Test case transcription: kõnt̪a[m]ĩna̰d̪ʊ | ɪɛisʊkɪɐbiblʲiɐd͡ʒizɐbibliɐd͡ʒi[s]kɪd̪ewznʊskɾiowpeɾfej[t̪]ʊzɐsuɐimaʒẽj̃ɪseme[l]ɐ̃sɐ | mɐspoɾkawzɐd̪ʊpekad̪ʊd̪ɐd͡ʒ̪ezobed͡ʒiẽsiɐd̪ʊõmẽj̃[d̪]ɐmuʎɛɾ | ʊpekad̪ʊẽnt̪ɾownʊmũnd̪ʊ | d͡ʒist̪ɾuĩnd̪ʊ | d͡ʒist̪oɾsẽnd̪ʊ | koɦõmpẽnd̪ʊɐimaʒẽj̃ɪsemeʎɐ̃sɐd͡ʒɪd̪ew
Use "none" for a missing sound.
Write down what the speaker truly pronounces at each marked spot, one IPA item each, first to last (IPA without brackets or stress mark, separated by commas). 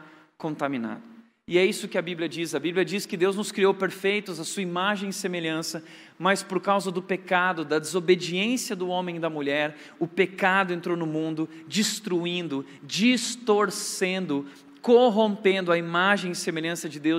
m, s, t̪, ʎ, d̪